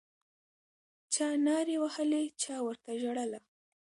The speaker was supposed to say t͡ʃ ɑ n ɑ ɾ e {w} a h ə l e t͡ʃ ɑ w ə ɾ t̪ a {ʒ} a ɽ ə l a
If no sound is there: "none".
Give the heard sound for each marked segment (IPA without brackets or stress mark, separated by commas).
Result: w, ʒ